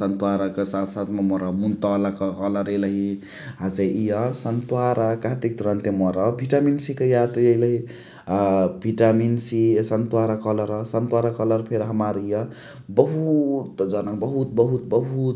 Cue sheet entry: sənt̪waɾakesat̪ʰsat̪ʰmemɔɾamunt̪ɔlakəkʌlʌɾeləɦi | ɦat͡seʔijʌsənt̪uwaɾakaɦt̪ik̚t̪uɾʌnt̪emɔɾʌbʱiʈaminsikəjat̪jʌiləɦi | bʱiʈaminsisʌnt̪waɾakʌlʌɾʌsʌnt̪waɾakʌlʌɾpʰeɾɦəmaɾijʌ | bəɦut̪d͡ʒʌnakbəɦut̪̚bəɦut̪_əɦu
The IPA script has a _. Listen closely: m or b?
b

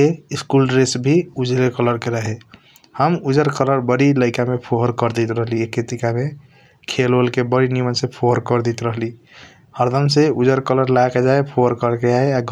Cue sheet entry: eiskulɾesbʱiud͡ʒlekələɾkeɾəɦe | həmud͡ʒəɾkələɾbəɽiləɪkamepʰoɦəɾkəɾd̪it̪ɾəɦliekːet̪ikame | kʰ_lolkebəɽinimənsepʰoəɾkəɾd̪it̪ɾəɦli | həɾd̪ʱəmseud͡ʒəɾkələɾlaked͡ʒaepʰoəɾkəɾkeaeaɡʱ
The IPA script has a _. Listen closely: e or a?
e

